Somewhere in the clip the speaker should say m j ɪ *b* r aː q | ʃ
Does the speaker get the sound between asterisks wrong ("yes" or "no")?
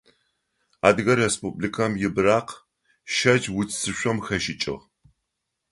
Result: no